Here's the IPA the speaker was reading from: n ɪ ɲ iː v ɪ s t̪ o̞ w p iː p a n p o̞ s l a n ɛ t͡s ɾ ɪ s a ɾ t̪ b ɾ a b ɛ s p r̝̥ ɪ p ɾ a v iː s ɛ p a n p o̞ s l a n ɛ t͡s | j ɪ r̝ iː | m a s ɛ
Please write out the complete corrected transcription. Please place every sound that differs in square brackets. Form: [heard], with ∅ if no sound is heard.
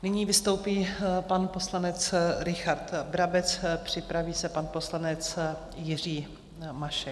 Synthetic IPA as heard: n ɪ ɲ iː v ɪ s t̪ o̞ w p iː p a n p o̞ s l a n ɛ t͡s ɾ ɪ [x] a ɾ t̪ b ɾ a b ɛ [t͡s] p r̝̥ ɪ p ɾ a v iː s ɛ p a n p o̞ s l a n ɛ t͡s | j ɪ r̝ iː | m a [ʃ] ɛ